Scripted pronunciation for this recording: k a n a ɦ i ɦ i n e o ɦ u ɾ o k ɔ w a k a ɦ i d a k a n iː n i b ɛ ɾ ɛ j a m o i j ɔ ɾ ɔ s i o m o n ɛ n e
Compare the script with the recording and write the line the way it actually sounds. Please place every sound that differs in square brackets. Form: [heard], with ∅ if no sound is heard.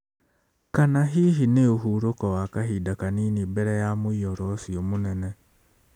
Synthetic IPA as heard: k a n a ɦ i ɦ i n e o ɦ u ɾ o k ɔ w a k a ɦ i d a k a n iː n i b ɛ ɾ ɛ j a m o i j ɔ ɾ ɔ s i o m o n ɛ n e

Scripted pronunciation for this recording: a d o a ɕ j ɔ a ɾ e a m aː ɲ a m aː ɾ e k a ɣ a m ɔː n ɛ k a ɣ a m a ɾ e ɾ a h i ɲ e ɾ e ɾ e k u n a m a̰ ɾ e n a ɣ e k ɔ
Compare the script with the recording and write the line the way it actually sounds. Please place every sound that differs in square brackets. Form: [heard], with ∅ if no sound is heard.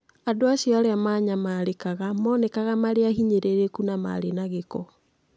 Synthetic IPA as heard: a d o a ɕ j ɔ a ɾ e a m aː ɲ a m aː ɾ e k a ɣ a m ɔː n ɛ k a ɣ a m a ɾ e [∅] a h i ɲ e ɾ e ɾ e k u n a m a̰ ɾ e n a ɣ e k ɔ

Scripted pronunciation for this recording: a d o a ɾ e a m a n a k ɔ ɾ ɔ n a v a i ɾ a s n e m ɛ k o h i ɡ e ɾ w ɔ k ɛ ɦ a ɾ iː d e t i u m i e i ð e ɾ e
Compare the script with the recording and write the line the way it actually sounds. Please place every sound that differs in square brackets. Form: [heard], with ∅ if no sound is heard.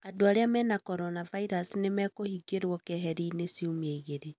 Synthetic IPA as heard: a d o a ɾ e a m [ɛ] n a k ɔ ɾ ɔ n a v a i ɾ a s n e m ɛ k o h i ɡ e ɾ w ɔ k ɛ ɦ [ɛ] ɾ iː [n] e [s] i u m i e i [ɣ] e ɾ e

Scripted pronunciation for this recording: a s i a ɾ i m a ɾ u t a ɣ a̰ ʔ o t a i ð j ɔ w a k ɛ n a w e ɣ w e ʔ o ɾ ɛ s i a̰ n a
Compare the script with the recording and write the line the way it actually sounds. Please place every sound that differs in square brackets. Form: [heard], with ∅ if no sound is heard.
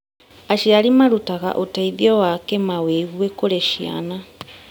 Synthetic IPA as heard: a [ʃ] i a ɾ i m a ɾ u t a ɣ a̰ ʔ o t a i ð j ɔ w a k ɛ [m] a w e ɣ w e [k] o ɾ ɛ [ʃ] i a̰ n a

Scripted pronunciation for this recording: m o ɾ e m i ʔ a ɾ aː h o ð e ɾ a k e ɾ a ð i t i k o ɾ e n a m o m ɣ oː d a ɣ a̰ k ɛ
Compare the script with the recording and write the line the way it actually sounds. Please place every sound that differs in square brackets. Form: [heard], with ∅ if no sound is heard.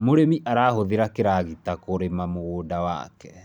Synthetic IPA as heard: m o ɾ e m i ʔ a ɾ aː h o ð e ɾ a k e ɾ a [ɣ] i t [a] k o ɾ e [m] a m o [∅] ɣ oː d a [w] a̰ k ɛ

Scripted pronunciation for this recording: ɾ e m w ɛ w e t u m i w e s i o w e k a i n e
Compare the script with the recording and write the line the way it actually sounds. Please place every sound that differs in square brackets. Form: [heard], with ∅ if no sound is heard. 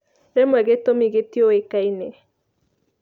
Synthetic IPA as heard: ɾ e m w ɛ [ɣ] e t [o] m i [ɣ] e [t] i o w e k a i n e

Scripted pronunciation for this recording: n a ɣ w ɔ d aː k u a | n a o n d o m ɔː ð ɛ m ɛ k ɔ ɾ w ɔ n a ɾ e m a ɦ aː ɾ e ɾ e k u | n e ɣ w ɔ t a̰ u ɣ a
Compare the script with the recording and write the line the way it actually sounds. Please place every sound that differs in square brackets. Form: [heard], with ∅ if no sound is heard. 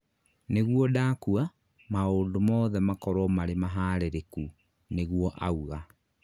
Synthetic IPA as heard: n [e] ɣ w ɔ d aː k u a | [m] a o n d o m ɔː ð ɛ m [a] k ɔ ɾ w ɔ [m] a ɾ e m a ɦ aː ɾ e ɾ e k u | n e ɣ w ɔ [ʔ] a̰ u ɣ a

